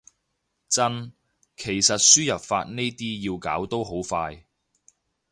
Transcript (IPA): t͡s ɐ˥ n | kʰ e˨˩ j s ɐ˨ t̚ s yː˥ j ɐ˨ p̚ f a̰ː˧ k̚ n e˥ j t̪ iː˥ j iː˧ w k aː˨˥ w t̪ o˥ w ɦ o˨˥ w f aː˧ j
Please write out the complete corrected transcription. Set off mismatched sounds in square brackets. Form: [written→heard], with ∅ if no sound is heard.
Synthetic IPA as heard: t͡s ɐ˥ n | kʰ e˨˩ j s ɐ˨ t̚ s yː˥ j ɐ˨ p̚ f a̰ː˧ [k̚→t̚] n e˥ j t̪ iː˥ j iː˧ w k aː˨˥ w t̪ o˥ w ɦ o˨˥ w f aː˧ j